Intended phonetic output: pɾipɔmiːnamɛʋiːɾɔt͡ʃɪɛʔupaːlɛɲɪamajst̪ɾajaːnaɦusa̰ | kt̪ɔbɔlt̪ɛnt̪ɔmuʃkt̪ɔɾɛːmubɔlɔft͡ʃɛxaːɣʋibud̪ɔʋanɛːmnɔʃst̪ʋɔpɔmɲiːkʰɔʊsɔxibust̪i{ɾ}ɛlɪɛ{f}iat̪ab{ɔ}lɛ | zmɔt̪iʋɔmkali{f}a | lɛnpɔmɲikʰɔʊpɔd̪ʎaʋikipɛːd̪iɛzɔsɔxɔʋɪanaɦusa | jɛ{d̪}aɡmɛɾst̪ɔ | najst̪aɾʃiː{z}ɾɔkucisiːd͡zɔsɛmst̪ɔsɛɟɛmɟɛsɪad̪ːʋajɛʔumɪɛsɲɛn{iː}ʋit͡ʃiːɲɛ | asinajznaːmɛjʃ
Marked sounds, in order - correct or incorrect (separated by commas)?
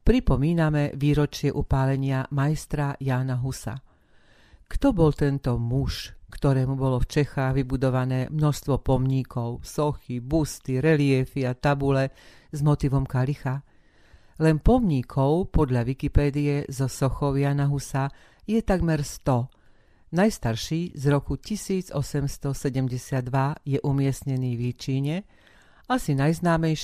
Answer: correct, correct, incorrect, incorrect, incorrect, correct, correct